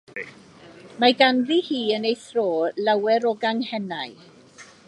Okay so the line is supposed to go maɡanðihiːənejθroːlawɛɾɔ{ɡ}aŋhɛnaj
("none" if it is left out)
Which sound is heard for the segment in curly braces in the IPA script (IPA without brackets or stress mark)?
ɡ